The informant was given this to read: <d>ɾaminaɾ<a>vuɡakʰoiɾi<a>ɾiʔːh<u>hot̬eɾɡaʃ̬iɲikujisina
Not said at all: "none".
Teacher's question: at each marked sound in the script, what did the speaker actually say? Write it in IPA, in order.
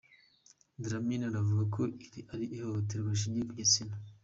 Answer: d, a, a, o

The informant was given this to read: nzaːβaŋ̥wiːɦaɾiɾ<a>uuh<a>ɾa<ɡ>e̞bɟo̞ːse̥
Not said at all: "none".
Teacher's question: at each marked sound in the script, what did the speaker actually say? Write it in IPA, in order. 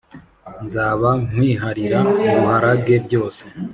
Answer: a, a, ɡ

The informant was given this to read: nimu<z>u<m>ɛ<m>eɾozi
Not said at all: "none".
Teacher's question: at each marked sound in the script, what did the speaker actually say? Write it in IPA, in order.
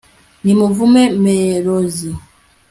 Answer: v, m, m

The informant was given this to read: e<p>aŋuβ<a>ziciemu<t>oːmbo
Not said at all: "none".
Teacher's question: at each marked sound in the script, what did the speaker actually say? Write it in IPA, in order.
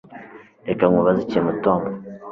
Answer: k, a, t

